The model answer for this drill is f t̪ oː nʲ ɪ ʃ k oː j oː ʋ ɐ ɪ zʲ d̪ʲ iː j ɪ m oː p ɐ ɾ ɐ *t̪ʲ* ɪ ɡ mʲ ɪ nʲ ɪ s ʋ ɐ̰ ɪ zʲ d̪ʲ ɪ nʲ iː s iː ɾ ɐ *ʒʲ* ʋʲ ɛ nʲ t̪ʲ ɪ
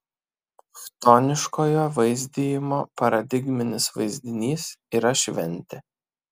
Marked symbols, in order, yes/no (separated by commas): no, no